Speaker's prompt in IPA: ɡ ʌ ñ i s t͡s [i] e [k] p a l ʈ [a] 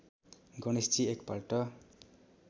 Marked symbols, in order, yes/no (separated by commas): yes, yes, no